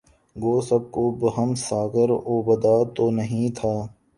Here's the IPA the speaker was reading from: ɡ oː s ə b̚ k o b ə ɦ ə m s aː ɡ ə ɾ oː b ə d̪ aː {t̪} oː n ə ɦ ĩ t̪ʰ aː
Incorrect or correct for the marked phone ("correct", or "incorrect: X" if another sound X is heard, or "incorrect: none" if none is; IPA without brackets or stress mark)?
correct